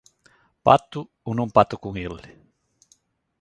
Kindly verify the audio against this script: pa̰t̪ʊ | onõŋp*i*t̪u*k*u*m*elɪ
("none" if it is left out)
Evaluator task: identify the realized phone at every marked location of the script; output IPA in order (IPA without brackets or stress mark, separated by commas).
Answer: a, k, ŋ